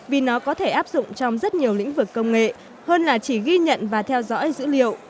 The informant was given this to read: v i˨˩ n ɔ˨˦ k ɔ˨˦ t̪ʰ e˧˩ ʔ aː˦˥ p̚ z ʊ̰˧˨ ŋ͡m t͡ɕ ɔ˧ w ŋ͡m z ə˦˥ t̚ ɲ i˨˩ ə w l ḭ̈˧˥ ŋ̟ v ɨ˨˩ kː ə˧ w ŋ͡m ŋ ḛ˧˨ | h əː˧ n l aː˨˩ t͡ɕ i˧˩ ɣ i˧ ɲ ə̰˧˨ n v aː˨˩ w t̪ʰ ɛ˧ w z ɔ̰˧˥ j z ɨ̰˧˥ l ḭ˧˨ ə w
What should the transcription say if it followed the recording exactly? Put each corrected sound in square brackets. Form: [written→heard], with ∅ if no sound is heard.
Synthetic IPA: v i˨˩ n ɔ˨˦ k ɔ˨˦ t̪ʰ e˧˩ ʔ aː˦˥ p̚ z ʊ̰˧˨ ŋ͡m t͡ɕ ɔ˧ w ŋ͡m z ə˦˥ t̚ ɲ i˨˩ ə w l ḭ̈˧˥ ŋ̟ v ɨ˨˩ kː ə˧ w ŋ͡m ŋ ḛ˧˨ | h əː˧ n l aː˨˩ t͡ɕ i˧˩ ɣ i˧ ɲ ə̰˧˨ n v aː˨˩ [w→∅] t̪ʰ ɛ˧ w z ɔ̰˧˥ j z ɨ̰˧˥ l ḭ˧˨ ə w

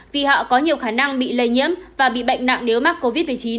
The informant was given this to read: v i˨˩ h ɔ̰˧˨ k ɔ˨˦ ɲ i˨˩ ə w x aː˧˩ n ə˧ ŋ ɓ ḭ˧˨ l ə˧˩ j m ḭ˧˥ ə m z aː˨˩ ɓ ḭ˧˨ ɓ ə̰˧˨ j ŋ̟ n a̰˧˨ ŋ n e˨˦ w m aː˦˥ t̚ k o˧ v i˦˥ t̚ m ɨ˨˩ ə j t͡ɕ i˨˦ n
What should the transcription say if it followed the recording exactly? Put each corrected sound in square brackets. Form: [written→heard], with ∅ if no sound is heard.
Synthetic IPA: v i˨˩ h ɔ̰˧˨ k ɔ˨˦ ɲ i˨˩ ə w x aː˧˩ n [ə˧→a˧] ŋ ɓ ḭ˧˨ l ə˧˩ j [m→ɲ] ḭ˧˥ ə m [z→v] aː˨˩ ɓ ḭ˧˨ ɓ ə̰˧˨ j ŋ̟ n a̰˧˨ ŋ n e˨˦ w m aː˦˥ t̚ k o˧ v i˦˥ t̚ m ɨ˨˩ ə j t͡ɕ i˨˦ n

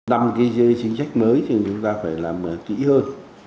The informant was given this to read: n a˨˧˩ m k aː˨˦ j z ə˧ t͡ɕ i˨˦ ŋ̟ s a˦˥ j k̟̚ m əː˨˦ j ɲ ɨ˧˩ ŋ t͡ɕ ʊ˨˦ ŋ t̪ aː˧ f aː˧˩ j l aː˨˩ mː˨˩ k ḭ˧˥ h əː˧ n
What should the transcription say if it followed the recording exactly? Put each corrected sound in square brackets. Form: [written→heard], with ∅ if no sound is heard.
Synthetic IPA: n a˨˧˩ m k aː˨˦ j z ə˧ t͡ɕ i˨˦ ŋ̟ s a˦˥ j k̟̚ m əː˨˦ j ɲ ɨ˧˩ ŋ t͡ɕ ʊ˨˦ [ŋ→ŋ͡m] t̪ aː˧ f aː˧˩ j l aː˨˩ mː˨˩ k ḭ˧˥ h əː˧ n

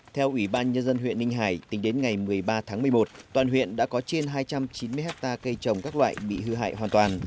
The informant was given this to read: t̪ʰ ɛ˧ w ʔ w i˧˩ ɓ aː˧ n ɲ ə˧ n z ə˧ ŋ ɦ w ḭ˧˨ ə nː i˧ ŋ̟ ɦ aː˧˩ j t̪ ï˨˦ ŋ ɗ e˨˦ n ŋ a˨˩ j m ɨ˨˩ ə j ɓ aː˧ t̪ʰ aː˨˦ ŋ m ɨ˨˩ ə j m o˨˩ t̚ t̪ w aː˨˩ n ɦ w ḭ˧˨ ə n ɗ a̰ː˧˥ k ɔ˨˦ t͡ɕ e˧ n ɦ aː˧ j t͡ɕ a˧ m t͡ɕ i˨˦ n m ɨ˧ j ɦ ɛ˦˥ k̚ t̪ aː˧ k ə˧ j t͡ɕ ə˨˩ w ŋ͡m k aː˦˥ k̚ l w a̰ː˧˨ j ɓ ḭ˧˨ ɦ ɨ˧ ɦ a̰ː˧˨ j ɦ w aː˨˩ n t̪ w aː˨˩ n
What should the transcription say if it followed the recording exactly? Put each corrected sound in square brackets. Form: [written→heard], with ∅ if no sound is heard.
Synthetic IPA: t̪ʰ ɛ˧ w ʔ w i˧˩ ɓ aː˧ n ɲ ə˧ n z ə˧ [ŋ→n] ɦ w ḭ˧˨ ə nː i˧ ŋ̟ ɦ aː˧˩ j t̪ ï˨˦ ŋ ɗ e˨˦ n ŋ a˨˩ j m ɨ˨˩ ə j ɓ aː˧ t̪ʰ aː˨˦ ŋ m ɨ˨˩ ə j m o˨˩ t̚ t̪ w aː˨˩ n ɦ w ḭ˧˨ ə n ɗ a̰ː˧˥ k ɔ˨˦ t͡ɕ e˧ n ɦ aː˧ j t͡ɕ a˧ m t͡ɕ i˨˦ n m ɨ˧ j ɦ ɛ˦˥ k̚ t̪ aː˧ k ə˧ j t͡ɕ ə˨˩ w ŋ͡m k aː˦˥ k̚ l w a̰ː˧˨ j ɓ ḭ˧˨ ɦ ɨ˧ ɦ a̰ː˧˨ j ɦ w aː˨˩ n t̪ w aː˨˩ n

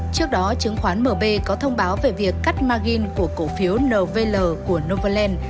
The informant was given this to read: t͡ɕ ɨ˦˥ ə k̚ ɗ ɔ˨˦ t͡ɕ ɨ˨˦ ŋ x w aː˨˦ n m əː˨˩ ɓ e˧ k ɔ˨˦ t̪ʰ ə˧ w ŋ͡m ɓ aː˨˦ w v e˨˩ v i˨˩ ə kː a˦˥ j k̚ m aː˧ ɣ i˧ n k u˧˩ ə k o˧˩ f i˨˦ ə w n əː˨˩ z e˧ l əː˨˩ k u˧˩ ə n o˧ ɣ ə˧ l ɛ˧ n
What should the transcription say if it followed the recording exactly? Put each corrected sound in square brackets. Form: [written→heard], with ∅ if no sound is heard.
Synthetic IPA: t͡ɕ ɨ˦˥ ə k̚ ɗ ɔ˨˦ t͡ɕ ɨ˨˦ ŋ x w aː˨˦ n m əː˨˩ ɓ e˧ k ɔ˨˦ t̪ʰ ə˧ w ŋ͡m ɓ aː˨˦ w v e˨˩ v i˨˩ ə kː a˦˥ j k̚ m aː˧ ɣ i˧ n k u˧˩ ə k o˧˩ f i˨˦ ə w n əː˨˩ [z→v] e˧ l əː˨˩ k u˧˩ ə n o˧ [ɣ→v] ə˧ l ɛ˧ n

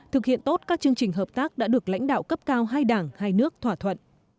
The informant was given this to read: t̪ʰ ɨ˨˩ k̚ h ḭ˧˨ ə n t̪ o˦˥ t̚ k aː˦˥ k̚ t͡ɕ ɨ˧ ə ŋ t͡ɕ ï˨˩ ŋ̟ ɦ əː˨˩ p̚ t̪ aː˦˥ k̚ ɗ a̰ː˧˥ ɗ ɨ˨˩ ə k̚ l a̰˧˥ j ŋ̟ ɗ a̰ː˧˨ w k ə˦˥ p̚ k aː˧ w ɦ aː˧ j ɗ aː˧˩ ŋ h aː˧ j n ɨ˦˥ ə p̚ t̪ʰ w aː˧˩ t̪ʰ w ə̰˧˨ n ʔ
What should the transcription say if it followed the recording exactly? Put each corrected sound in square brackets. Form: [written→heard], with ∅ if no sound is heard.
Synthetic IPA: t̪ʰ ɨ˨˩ k̚ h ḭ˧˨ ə n t̪ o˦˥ t̚ k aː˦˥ k̚ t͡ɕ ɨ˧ ə ŋ t͡ɕ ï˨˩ ŋ̟ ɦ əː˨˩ p̚ t̪ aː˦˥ k̚ ɗ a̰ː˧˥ ɗ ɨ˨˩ ə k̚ l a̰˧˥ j ŋ̟ ɗ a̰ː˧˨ w k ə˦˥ p̚ k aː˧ w ɦ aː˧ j ɗ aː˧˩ ŋ h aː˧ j n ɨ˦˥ ə [p̚→k̚] t̪ʰ w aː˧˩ t̪ʰ w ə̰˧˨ n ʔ

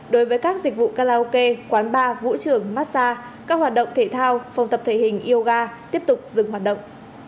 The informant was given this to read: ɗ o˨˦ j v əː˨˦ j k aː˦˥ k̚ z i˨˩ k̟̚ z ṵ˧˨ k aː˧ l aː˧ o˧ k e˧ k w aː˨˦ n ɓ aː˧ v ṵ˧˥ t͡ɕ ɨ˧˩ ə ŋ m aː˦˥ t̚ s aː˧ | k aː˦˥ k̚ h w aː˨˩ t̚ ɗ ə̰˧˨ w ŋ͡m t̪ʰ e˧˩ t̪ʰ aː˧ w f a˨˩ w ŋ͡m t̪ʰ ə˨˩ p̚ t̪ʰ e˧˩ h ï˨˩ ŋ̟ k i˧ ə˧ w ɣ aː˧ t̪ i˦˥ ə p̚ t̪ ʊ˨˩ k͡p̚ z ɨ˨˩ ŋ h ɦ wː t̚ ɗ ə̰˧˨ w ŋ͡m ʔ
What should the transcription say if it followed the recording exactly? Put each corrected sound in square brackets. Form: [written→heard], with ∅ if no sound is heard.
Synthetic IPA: ɗ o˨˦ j v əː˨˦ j k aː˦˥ k̚ z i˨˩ k̟̚ [z→v] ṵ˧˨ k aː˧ l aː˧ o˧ k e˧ k w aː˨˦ n ɓ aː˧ v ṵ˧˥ t͡ɕ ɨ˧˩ ə ŋ m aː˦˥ t̚ s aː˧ | k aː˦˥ k̚ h w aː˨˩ t̚ ɗ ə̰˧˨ w ŋ͡m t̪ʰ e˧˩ t̪ʰ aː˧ w f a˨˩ w ŋ͡m [t̪ʰ→t̪] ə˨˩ p̚ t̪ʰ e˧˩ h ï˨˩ ŋ̟ [k→ʔ] i˧ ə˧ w ɣ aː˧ t̪ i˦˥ ə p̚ t̪ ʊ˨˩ k͡p̚ z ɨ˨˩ ŋ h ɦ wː t̚ ɗ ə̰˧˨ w ŋ͡m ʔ

